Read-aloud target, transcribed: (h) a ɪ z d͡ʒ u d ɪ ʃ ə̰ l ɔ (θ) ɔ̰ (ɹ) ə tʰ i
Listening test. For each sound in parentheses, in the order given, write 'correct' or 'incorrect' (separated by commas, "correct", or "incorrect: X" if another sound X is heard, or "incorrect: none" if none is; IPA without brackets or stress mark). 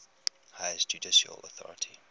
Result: correct, correct, correct